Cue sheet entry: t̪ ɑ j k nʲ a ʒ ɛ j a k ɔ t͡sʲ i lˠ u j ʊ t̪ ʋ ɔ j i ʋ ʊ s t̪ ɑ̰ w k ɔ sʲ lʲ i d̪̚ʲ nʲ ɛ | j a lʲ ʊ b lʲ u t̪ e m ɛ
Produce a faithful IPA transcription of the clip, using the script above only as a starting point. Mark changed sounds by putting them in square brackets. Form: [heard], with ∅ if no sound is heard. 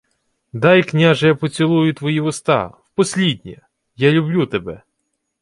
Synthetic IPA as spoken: [d̪] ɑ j k nʲ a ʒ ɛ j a [p] ɔ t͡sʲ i lˠ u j ʊ t̪ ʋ ɔ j i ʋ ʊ s t̪ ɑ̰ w [p] ɔ sʲ lʲ i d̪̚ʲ nʲ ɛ | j a lʲ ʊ b lʲ u t̪ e [b] ɛ